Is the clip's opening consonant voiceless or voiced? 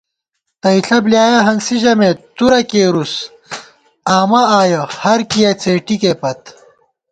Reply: voiceless